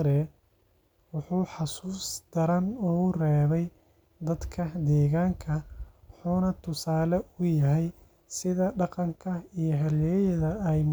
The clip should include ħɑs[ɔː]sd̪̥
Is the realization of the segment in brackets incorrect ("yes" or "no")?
yes